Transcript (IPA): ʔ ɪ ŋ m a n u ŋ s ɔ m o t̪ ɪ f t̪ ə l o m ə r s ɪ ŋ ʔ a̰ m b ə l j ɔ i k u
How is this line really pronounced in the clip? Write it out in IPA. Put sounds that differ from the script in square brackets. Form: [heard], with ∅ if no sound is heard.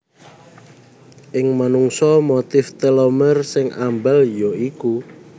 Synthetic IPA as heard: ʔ ɪ ŋ m a n u ŋ s ɔ m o t̪ ɪ f t̪ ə l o m ə r s ɪ ŋ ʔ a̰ m b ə l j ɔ i k u